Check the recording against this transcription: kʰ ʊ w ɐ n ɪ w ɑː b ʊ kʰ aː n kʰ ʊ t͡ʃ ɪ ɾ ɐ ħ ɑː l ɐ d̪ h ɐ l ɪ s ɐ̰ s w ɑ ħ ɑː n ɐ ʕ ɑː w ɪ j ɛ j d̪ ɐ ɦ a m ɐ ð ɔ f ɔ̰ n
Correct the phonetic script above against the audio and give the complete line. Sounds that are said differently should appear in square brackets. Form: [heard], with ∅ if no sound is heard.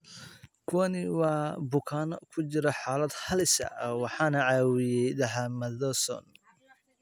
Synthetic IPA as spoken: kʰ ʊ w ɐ n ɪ w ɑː b ʊ kʰ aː n kʰ ʊ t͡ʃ ɪ ɾ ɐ ħ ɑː l ɐ d̪ h ɐ l ɪ s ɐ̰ [∅] w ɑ ħ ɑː n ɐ ʕ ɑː w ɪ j ɛ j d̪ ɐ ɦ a m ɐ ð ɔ [s] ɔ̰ n